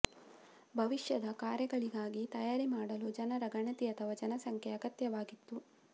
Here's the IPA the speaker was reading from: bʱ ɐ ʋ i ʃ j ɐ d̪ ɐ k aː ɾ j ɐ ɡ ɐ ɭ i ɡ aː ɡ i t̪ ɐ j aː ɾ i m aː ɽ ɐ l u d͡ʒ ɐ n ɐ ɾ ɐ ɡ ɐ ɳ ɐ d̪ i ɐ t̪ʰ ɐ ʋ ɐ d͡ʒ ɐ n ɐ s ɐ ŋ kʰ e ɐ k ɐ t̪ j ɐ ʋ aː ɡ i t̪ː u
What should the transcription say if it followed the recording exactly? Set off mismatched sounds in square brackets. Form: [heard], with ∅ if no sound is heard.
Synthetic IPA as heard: bʱ ɐ ʋ i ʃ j ɐ d̪ ɐ k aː ɾ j ɐ ɡ ɐ ɭ i ɡ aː ɡ i t̪ ɐ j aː ɾ i m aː ɽ ɐ l u d͡ʒ ɐ n ɐ ɾ ɐ ɡ ɐ ɳ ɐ [t̪] i ɐ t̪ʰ ɐ ʋ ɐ d͡ʒ ɐ n ɐ s ɐ ŋ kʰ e ɐ [ɡ] ɐ t̪ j ɐ ʋ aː ɡ i t̪ː u